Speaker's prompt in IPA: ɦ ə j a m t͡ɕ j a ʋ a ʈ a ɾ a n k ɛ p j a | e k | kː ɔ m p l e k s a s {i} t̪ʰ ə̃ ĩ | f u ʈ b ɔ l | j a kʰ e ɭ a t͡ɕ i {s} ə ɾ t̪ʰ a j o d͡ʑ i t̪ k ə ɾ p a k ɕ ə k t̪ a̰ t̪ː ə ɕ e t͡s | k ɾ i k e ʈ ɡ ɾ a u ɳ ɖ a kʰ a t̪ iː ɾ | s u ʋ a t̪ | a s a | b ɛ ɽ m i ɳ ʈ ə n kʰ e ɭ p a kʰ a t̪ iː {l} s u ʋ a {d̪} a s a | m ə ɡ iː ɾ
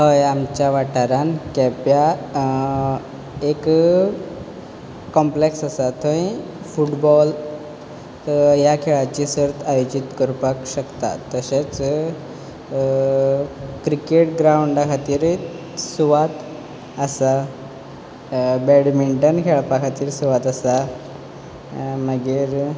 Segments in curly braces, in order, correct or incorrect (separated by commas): incorrect, correct, incorrect, incorrect